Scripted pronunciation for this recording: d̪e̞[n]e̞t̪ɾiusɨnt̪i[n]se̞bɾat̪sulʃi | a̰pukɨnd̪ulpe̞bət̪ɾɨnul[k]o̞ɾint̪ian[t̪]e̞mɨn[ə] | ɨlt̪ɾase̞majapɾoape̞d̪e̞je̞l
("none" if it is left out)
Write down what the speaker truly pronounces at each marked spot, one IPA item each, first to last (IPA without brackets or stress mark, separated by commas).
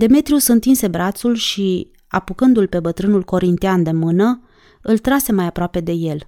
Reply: m, n, k, d̪, ə